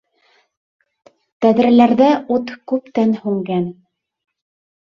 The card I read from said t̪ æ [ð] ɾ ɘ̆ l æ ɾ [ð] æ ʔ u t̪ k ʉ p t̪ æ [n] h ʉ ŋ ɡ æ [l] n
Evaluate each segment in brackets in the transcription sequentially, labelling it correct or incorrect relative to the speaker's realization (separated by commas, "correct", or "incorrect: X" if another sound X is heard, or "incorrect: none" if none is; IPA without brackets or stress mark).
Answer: correct, correct, correct, incorrect: none